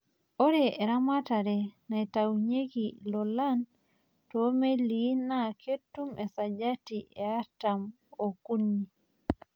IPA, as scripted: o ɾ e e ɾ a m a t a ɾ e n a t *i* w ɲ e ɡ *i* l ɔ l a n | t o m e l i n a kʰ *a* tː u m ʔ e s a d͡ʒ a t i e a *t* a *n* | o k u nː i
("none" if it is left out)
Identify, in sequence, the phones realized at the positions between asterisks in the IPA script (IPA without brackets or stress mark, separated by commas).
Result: a, i, e, t, m